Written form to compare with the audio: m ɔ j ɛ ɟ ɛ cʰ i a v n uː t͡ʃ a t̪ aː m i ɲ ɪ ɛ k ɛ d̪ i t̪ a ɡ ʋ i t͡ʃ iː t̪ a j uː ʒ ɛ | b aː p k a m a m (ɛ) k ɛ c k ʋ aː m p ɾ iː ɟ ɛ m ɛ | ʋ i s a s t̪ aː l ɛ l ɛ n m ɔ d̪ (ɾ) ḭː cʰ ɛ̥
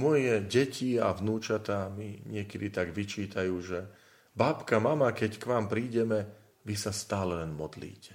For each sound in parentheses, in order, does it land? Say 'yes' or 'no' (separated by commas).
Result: no, no